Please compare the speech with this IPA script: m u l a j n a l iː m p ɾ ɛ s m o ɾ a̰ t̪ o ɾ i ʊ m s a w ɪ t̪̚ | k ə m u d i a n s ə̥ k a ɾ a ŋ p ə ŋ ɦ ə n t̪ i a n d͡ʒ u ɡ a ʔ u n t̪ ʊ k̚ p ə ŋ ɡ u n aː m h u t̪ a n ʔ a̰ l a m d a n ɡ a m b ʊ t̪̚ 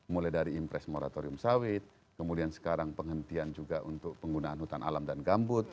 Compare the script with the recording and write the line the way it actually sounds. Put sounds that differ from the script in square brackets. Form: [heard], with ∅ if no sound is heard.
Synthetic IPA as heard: m u l a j [d] a [ɾ] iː m p ɾ ɛ s m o ɾ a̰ t̪ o ɾ i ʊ m s a w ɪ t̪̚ | k ə m u d i a n s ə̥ k a ɾ a ŋ p ə ŋ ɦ ə n t̪ i a n d͡ʒ u ɡ a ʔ u n t̪ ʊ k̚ p ə ŋ ɡ u n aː [n] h u t̪ a n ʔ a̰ l a m d a n ɡ a m b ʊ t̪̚